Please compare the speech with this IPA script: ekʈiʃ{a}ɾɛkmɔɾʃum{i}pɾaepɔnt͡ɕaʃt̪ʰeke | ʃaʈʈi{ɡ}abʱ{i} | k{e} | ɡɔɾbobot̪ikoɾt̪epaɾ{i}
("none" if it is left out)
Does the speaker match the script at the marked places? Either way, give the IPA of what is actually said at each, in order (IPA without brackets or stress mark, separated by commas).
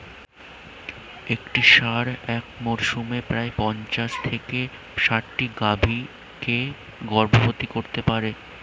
a, e, ɡ, i, e, e